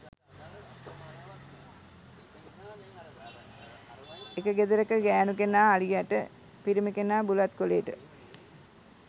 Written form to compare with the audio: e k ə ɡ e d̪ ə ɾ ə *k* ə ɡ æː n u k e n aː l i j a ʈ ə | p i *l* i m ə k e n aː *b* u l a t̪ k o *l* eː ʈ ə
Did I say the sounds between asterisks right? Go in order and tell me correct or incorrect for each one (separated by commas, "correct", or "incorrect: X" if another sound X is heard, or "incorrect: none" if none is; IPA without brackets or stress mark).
correct, incorrect: ɾ, correct, correct